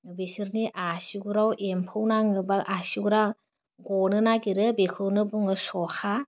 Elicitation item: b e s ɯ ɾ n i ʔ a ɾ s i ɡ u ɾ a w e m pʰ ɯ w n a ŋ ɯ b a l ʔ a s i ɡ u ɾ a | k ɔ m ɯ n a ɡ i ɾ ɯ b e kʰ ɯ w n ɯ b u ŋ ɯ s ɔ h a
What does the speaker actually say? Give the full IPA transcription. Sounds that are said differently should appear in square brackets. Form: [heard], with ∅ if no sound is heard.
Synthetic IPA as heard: b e s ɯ ɾ n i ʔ a [∅] s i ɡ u ɾ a w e m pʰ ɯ w n a ŋ ɯ b a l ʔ a s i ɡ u ɾ a | [ɡ] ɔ [n] ɯ n a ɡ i ɾ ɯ b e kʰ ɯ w n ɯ b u ŋ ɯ s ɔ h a